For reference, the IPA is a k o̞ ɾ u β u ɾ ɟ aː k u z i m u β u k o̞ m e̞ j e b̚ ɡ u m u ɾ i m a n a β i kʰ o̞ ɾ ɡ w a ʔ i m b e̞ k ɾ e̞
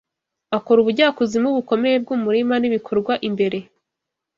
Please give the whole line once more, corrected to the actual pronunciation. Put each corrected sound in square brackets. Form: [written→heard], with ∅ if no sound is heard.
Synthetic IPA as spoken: a k o̞ ɾ u β u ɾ ɟ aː k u z i m u β u k o̞ m e̞ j e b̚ ɡ u m u ɾ i m a n [a→i] β i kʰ o̞ ɾ ɡ w a ʔ i m b e̞ [k→∅] ɾ e̞